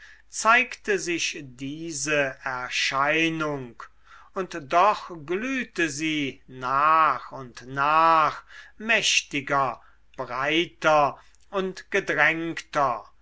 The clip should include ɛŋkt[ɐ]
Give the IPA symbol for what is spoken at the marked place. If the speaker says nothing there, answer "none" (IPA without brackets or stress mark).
ɐ